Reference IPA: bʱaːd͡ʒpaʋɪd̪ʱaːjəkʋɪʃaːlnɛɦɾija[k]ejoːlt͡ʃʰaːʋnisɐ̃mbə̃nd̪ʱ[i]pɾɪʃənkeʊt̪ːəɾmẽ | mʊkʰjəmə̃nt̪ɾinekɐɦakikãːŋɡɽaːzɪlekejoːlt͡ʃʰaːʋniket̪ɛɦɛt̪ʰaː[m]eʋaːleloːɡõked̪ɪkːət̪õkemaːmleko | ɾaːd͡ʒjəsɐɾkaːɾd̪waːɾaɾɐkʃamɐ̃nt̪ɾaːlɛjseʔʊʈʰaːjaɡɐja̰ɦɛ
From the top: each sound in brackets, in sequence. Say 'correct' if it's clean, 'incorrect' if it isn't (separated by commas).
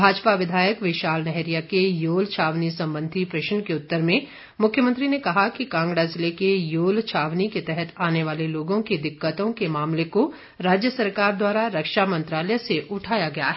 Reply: correct, correct, incorrect